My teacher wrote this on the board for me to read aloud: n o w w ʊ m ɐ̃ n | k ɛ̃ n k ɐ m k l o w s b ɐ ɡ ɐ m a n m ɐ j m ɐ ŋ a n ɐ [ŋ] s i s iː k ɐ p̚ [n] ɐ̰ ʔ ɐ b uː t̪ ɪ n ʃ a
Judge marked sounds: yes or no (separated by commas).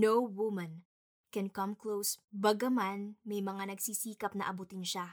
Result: no, yes